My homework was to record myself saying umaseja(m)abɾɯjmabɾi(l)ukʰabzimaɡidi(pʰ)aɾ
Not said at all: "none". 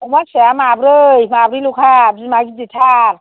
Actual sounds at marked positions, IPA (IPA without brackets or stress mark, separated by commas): m, l, tʰ